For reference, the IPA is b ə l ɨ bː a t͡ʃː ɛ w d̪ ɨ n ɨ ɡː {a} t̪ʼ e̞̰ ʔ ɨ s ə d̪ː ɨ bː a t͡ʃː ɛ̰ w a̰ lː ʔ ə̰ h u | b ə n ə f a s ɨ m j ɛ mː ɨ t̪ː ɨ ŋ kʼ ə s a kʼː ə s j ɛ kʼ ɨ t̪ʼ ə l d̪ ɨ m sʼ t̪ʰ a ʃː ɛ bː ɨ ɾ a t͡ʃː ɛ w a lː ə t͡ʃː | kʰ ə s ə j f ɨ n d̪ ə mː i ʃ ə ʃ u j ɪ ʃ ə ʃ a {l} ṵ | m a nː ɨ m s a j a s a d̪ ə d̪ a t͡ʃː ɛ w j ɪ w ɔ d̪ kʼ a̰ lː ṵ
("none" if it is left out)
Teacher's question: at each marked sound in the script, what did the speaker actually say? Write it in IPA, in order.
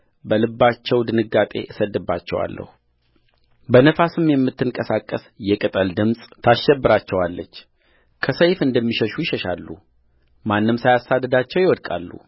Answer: a, lː

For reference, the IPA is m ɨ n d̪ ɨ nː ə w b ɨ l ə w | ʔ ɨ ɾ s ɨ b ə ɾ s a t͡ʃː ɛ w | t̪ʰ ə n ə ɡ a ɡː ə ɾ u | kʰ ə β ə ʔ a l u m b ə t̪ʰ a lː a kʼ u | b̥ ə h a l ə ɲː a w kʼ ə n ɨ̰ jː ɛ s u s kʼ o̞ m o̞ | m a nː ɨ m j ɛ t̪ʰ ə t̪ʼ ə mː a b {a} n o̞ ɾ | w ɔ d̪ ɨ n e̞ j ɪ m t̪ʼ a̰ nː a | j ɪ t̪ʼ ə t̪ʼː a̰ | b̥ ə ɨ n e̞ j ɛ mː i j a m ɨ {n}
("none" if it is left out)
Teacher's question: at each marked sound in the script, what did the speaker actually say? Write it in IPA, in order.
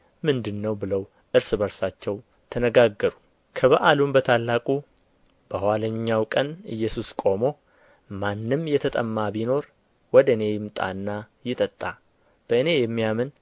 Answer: i, n

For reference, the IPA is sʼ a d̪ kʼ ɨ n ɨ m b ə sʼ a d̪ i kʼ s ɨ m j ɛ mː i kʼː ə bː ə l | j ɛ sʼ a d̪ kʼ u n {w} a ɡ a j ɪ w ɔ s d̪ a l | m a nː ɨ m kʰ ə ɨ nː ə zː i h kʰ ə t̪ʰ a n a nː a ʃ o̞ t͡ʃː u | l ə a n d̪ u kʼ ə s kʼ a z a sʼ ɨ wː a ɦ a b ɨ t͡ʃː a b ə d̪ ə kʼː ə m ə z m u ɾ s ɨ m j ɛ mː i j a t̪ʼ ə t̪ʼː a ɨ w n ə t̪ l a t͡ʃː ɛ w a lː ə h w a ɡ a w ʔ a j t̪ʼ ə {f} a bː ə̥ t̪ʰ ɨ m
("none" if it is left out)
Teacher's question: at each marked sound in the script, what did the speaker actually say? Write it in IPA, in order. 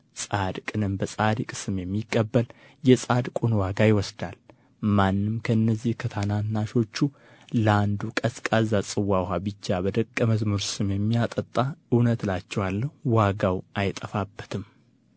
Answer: w, f

